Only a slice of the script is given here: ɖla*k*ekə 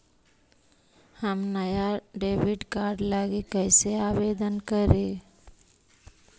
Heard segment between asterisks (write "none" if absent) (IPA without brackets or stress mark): ɡ